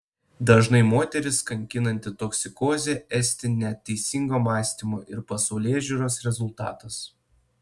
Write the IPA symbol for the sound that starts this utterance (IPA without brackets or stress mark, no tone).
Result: d̪